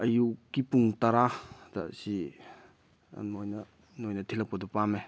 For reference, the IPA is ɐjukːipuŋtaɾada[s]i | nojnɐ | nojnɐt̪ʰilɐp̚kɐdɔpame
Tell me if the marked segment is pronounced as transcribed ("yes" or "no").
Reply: yes